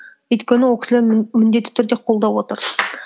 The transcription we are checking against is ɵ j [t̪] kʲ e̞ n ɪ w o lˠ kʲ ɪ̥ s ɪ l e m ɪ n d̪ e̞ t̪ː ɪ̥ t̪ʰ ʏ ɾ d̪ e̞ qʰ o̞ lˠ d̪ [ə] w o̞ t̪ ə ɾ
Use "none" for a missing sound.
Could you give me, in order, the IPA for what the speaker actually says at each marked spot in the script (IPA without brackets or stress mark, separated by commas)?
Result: t̪, ɑ